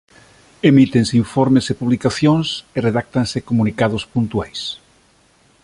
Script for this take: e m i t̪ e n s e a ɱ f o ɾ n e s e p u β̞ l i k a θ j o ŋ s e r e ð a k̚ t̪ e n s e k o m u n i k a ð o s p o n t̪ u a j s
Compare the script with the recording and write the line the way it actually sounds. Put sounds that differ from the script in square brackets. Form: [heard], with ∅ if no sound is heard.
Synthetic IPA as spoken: e m i t̪ e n s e [i] ɱ f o ɾ [m] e s e p u β̞ l i k a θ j o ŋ s e r e ð a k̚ t̪ [a] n s e k o m u n i k a ð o s p [u] n t̪ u a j s